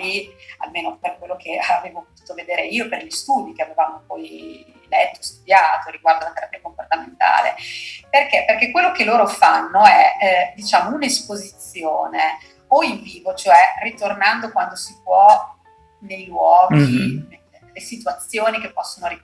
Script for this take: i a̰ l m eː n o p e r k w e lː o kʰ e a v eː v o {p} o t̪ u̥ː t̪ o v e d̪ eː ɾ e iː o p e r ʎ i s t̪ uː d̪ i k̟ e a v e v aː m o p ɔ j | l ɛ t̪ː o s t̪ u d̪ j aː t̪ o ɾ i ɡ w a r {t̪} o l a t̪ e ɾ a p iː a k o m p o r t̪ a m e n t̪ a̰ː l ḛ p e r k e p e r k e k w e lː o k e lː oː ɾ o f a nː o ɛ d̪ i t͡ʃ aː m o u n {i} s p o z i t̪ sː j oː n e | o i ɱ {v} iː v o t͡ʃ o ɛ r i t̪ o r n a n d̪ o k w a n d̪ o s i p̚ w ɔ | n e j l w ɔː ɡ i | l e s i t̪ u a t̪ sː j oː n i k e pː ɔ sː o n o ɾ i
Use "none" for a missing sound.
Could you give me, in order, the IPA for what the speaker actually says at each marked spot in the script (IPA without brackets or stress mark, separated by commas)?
p, d̪, e, v